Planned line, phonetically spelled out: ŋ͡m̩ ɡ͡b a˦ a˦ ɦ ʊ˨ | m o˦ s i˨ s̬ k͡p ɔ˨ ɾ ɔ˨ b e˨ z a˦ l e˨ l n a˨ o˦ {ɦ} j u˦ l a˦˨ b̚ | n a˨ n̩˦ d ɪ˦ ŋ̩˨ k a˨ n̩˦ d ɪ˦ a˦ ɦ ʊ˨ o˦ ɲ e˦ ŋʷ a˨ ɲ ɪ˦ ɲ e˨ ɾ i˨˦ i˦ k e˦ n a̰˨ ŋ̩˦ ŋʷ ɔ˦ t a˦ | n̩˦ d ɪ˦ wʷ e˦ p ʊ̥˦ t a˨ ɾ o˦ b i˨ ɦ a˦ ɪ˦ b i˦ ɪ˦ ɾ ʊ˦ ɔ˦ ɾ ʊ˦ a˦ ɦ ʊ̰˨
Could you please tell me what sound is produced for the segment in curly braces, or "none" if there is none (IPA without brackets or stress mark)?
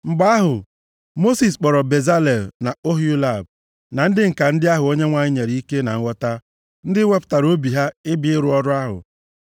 ɦ